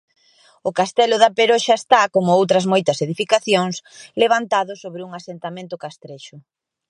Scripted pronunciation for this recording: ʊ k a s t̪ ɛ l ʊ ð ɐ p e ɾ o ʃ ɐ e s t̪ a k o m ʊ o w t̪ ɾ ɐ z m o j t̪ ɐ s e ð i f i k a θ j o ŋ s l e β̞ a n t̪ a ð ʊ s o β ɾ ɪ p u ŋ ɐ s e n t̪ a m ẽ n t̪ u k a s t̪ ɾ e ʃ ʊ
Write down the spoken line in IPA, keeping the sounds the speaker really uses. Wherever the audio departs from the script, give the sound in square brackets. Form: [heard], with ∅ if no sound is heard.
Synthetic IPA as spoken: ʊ k a s t̪ ɛ l ʊ ð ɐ p e ɾ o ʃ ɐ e s t̪ a k o m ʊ o w t̪ ɾ ɐ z m o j t̪ ɐ s e ð i f i k a θ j o ŋ s l e β̞ a n t̪ a ð ʊ s o β ɾ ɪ [∅] u ŋ [a] s e n t̪ a m ẽ n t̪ [ʊ] k a s t̪ ɾ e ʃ ʊ